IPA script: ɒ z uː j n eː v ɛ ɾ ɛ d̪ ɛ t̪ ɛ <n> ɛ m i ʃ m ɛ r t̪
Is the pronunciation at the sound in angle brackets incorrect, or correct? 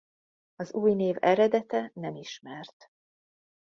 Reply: correct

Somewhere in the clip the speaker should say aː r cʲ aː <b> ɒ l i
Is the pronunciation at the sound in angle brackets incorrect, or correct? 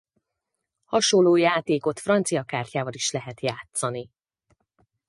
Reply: incorrect: v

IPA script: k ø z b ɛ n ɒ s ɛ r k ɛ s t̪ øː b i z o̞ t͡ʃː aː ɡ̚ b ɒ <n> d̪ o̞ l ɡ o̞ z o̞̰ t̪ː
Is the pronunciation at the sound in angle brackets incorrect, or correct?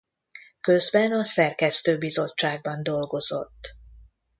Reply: correct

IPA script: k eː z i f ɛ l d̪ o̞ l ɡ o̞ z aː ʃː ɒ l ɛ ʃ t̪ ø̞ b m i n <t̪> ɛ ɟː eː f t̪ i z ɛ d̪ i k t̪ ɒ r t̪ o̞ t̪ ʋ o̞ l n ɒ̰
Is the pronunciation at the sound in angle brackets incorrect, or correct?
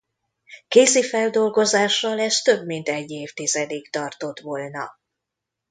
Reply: correct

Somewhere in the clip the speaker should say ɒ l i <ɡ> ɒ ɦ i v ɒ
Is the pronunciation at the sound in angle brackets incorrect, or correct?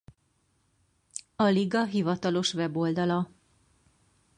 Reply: correct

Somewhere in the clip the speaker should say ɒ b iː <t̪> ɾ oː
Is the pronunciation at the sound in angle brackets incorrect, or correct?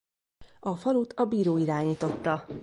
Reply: incorrect: none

